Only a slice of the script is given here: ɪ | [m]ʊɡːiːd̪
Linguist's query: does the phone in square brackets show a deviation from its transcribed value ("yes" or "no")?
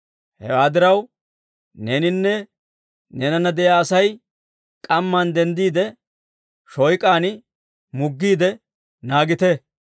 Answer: no